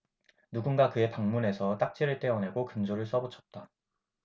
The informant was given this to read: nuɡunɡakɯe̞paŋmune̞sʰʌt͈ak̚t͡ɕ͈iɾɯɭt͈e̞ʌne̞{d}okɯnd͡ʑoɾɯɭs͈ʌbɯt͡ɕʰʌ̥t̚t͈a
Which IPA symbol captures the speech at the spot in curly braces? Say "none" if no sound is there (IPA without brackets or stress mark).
ɡ